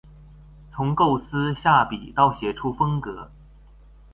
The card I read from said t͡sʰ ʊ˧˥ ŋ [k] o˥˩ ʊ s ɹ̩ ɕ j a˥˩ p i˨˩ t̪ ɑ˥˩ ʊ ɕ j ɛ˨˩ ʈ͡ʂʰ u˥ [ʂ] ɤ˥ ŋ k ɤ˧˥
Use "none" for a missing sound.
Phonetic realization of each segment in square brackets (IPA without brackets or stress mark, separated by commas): k, f